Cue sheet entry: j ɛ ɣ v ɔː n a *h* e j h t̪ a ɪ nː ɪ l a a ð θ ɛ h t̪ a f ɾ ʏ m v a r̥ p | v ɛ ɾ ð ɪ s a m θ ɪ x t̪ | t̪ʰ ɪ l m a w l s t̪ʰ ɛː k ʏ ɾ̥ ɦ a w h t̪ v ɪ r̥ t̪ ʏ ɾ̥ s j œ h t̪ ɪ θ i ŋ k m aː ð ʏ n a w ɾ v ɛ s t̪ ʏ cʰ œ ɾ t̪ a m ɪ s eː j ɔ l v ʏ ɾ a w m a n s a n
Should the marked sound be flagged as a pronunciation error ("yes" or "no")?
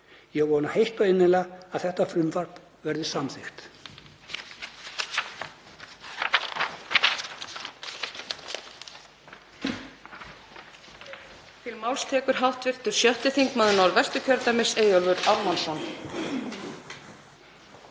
no